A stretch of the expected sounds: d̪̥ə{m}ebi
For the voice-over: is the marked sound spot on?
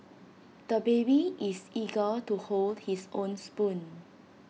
no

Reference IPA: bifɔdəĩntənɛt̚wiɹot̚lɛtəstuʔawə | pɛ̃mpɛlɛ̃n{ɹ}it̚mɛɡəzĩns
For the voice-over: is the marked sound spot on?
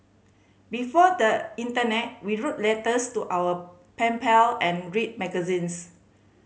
yes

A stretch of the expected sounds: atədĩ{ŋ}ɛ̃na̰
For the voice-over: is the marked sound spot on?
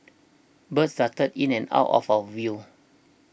no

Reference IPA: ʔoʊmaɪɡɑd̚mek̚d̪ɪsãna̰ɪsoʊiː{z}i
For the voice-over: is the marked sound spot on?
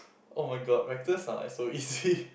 yes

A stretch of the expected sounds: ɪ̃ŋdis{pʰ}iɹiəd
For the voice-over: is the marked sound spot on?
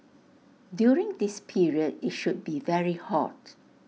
yes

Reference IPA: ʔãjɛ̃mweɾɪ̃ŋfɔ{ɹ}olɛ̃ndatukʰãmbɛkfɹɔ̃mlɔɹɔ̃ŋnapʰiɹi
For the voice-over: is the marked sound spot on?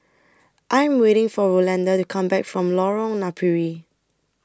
yes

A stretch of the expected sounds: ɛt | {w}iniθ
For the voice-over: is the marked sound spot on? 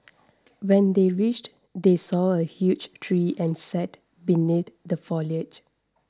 no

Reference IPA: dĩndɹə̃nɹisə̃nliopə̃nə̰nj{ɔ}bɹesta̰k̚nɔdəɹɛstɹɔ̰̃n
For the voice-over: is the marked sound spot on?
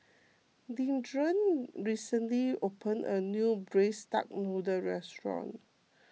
no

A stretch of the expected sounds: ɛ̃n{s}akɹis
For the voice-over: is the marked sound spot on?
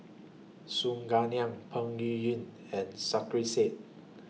yes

